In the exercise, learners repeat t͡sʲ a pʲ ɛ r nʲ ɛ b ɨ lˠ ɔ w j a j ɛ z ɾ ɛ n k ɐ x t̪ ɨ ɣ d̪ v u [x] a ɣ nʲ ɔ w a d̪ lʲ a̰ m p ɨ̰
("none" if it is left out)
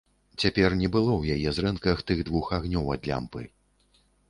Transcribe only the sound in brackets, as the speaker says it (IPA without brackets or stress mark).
x